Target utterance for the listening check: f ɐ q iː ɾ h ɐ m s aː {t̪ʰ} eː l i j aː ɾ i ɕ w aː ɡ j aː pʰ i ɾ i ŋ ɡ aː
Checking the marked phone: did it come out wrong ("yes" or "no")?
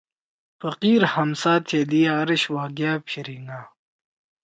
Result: no